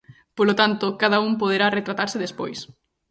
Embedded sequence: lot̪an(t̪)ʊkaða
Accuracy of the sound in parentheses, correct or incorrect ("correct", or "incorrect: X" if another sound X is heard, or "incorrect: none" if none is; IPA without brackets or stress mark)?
correct